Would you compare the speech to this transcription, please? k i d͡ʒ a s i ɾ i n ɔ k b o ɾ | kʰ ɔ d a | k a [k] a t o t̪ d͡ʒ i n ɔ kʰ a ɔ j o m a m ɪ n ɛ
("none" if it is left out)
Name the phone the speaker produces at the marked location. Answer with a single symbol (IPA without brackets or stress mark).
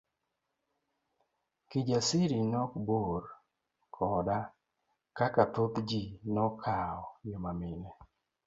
k